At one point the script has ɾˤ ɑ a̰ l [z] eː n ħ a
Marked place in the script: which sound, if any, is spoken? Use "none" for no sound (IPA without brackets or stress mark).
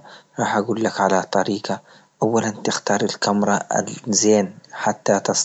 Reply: z